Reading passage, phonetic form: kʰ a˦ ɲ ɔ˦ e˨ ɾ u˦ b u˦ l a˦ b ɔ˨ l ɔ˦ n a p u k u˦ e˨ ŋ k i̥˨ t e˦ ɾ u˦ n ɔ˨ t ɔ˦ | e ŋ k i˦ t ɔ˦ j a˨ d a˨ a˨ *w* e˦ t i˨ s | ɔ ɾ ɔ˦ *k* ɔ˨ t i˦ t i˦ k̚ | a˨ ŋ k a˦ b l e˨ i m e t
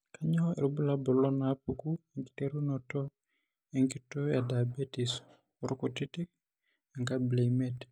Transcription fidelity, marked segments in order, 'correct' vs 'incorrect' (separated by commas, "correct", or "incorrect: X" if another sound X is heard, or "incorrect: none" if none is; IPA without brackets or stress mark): incorrect: b, correct